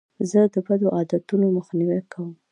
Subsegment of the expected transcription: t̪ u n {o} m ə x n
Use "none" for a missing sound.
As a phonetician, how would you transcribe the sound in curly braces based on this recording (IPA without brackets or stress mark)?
o